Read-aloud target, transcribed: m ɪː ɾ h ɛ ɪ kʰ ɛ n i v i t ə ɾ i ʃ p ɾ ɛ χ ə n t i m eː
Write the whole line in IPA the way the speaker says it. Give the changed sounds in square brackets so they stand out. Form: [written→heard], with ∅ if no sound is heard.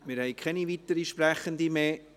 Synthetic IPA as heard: m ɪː ɾ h ɛ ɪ kʰ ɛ n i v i t ə ɾ i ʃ p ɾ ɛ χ ə n [t→d] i m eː